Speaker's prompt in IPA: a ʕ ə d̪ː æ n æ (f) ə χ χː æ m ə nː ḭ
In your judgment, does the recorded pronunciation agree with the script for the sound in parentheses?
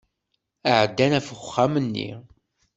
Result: yes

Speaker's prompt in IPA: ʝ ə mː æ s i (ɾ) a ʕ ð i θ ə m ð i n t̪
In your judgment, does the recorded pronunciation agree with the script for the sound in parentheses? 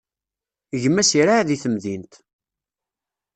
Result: yes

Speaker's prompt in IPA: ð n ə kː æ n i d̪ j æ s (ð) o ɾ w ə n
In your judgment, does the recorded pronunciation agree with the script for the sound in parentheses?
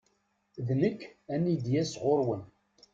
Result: no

